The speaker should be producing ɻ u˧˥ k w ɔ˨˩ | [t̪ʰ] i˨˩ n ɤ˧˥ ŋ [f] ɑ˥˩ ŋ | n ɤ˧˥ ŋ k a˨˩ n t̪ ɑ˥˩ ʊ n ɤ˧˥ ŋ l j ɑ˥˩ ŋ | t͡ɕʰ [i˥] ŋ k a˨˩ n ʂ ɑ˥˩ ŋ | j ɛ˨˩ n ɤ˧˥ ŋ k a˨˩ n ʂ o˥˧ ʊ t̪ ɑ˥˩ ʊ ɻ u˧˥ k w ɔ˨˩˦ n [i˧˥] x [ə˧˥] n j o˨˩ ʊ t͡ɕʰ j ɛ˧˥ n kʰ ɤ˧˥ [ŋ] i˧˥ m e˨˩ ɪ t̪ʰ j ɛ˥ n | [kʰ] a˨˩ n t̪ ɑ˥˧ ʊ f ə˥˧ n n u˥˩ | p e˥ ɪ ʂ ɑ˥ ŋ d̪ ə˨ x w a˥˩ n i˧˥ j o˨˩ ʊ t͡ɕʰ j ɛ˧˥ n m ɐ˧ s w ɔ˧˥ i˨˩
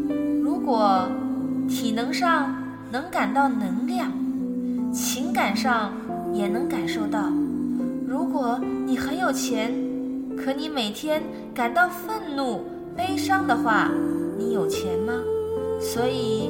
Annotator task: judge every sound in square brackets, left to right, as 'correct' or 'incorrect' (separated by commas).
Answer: correct, incorrect, incorrect, incorrect, correct, incorrect, incorrect